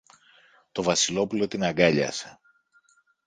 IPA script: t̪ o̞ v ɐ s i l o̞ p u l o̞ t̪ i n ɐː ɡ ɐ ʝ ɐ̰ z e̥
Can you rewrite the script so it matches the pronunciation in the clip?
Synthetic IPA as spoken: t̪ o̞ v ɐ s i l o̞ p u l o̞ t̪ i n ɐ ɡ ɐ ʎ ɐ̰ s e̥

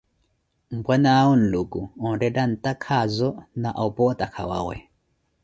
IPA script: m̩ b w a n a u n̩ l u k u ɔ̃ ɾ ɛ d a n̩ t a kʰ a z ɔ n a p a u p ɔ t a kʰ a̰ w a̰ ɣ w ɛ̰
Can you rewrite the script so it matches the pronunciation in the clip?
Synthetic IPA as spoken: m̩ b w a n a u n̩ l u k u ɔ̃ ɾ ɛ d a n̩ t a kʰ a z ɔ n a ʔ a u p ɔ t a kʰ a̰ w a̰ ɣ w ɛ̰

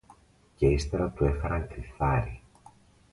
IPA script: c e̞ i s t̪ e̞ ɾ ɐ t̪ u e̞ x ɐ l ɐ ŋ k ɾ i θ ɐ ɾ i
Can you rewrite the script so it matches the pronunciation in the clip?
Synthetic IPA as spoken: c e̞ i s t̪ e̞ ɾ ɐ t̪ u e̞ x ɐ ɾ ɐ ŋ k ɾ i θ ɐ ɾ i

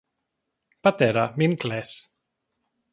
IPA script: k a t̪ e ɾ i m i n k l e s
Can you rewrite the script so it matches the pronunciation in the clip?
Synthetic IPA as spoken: p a t̪ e ɾ a m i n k l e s

